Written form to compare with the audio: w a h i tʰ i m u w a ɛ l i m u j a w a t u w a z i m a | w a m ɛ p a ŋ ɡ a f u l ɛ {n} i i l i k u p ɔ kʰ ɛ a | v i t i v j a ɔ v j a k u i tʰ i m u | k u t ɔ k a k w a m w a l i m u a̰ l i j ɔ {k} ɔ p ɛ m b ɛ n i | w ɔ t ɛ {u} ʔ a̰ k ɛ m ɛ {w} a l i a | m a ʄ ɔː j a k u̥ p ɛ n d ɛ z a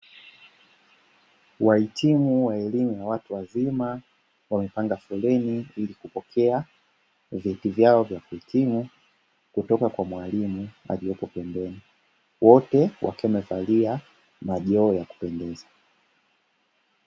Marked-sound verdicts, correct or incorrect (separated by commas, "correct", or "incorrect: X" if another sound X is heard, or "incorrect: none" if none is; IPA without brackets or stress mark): correct, incorrect: p, incorrect: w, incorrect: v